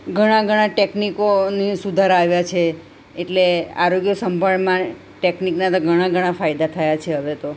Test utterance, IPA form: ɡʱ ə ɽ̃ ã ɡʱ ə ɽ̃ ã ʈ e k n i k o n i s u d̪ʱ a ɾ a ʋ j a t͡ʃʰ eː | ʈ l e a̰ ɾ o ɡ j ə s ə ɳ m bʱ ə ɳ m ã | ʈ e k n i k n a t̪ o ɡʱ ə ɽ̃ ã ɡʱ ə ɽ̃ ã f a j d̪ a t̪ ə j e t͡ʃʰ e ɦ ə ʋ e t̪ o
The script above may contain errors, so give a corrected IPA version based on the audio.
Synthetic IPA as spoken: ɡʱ ə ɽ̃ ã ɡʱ ə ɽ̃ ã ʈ e k n i k o n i s u d̪ʱ a ɾ a ʋ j a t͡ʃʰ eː | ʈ l e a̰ ɾ o ɡ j ə s ə m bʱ ə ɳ m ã | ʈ e k n i k n a t̪ o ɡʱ ə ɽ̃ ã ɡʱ ə ɽ̃ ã f a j d̪ a t̪ʰ ə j a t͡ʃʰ e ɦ ə ʋ e t̪ o